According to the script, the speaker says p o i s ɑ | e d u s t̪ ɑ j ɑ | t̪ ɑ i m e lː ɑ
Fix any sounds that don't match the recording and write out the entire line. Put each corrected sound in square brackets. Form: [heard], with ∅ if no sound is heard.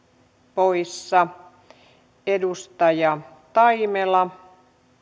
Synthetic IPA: p o i [sː] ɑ | e d u s t̪ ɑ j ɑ | t̪ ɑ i m e [l] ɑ